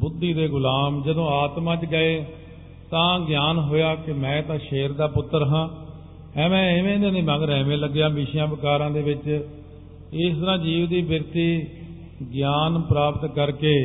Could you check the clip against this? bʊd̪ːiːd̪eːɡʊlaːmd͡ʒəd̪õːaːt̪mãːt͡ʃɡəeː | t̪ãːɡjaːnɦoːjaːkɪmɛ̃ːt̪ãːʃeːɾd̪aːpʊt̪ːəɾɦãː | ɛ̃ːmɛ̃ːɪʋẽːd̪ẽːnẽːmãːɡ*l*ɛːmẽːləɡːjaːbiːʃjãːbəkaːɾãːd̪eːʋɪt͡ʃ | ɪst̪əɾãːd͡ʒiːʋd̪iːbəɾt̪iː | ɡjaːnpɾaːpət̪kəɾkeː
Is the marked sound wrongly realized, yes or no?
yes